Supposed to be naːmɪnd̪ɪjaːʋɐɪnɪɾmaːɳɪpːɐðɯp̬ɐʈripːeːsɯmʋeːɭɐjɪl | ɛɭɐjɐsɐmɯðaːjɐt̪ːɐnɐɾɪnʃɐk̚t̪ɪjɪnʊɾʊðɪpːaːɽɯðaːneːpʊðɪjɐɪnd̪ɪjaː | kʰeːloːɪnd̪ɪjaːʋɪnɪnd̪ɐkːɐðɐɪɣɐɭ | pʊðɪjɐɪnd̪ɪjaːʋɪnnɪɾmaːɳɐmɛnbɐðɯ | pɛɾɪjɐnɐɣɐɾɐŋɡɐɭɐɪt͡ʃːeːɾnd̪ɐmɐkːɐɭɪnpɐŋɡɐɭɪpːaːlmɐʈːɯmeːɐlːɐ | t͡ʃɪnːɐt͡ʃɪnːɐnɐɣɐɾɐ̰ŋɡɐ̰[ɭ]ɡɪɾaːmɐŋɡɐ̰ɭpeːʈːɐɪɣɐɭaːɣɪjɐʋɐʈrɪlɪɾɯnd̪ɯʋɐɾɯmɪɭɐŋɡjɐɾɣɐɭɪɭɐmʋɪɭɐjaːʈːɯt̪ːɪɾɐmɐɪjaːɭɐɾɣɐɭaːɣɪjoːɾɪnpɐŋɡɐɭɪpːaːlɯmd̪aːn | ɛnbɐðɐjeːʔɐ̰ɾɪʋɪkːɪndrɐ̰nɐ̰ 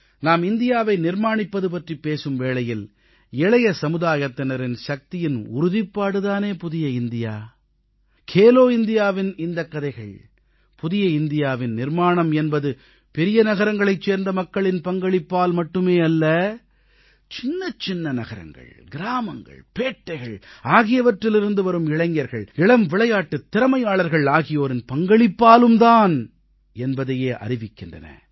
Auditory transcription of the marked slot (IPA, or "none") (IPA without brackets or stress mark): ɭ